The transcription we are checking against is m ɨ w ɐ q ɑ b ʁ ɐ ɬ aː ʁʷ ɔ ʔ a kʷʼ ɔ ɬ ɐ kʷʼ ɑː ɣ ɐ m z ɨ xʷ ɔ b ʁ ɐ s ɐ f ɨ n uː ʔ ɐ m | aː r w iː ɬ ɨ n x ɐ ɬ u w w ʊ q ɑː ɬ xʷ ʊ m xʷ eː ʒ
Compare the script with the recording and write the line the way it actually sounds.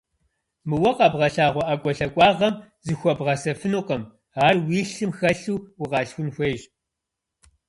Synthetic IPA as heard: m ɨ w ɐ q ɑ b ʁ ɐ ɬ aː ʁʷ ɔ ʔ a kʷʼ ɔ ɬ ɐ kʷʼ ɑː ʁ ɐ m z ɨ xʷ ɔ b ʁ ɐ s ɐ f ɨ n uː q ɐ m | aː r w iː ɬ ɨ m x ɐ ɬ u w w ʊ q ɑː ɬ xʷ ʊ n xʷ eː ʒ